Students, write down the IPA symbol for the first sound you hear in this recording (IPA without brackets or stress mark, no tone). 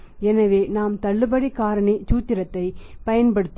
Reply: ɛ